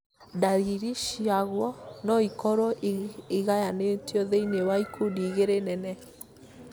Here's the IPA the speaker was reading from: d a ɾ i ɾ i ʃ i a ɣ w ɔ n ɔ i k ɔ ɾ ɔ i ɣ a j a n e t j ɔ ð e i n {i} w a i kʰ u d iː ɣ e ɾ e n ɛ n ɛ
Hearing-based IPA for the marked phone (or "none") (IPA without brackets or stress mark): e